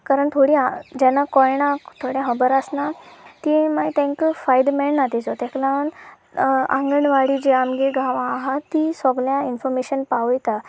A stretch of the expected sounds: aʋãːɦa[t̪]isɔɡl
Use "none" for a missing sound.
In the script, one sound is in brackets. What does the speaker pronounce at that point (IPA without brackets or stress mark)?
t̪